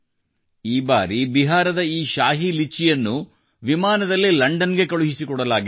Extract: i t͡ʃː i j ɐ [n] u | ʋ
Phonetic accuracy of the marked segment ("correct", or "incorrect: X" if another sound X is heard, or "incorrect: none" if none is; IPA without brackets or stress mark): incorrect: nː